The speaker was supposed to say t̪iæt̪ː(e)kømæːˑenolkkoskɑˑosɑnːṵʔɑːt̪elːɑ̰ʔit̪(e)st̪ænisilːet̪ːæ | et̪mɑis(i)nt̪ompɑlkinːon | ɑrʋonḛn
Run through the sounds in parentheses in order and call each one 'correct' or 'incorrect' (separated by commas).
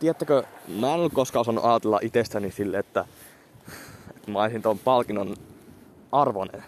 incorrect, correct, correct